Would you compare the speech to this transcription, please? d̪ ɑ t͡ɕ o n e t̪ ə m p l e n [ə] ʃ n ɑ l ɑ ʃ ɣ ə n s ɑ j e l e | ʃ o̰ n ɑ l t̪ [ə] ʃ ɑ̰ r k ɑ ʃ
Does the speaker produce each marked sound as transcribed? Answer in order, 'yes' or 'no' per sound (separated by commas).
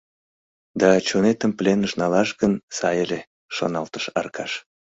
yes, yes